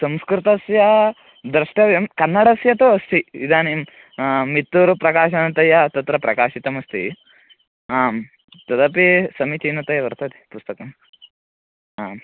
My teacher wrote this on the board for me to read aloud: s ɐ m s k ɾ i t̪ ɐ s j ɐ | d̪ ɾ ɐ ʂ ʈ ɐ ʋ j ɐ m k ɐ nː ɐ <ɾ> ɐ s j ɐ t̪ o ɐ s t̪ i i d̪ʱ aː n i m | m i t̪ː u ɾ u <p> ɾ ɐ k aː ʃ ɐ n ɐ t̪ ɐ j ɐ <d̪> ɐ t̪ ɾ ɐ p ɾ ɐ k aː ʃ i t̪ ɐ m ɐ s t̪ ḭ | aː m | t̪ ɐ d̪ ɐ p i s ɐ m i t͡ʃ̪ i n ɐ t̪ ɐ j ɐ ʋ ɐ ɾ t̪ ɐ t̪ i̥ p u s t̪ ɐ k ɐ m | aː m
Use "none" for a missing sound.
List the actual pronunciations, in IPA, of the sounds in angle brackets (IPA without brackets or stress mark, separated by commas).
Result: ɽ, p, t̪